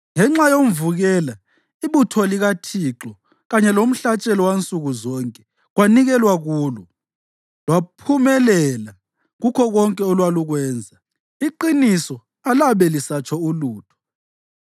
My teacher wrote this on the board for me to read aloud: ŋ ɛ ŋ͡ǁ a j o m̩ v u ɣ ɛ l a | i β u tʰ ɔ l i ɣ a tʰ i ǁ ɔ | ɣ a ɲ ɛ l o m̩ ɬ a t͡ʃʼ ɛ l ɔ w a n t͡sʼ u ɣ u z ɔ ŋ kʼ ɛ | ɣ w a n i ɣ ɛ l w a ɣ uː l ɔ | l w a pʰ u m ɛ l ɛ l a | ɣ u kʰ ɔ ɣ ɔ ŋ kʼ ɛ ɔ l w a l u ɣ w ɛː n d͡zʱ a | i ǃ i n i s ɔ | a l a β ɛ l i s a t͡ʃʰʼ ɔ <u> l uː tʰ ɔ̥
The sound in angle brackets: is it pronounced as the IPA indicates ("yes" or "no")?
yes